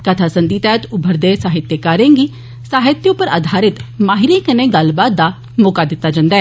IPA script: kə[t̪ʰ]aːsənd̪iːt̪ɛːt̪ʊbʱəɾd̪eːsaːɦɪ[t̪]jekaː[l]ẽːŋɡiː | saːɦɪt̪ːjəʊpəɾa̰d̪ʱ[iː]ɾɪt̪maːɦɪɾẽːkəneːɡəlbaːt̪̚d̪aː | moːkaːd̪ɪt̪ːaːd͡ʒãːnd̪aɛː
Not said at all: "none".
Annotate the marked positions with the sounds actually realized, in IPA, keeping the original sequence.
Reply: t̪ʰ, t̪, ɾ, aː

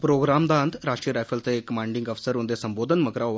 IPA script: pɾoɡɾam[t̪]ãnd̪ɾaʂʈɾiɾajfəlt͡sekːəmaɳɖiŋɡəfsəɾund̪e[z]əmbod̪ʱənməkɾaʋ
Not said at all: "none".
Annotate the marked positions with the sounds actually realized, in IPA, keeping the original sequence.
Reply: d̪, s

